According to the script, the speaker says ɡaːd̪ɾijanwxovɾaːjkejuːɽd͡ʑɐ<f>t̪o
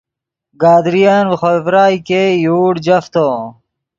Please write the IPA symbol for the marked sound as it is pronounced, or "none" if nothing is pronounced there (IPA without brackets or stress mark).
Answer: f